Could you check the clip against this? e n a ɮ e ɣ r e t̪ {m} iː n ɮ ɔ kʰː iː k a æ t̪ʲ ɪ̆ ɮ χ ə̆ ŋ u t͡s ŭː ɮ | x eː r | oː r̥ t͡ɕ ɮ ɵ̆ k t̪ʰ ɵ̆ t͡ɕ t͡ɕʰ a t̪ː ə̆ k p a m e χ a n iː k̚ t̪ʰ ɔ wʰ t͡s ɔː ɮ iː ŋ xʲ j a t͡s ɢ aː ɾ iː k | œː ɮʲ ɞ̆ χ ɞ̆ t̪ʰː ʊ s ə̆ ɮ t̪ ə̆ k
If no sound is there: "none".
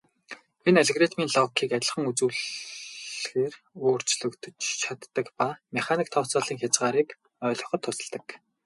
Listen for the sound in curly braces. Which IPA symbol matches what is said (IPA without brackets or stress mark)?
m